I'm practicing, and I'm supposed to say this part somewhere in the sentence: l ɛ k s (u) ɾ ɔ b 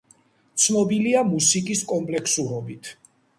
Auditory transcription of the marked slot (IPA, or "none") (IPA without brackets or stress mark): u